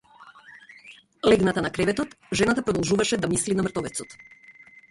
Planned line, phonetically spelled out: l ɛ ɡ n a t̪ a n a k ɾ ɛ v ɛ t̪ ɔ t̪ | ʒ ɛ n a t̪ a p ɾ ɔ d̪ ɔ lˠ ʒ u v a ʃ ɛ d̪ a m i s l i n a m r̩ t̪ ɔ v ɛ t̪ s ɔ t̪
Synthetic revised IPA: l ɛ ɡ n a t̪ a n a k ɾ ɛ v ɛ t̪ ɔ t̪ | ʒ ɛ n a t̪ a p ɾ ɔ d̪ ɔ lˠ ʒ u v a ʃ ɛ d̪ a m i s l i n a m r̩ t̪ ɔ v ɛ t̪ s ɔ t̪